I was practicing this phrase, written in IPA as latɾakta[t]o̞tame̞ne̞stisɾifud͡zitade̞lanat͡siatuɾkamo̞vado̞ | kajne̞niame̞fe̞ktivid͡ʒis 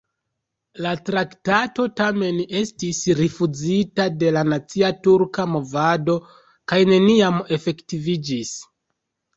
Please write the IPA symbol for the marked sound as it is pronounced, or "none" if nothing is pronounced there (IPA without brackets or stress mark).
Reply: t